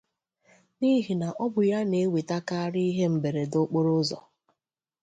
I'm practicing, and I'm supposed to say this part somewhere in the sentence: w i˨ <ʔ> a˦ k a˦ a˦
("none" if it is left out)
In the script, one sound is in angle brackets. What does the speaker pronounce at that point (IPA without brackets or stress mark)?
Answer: t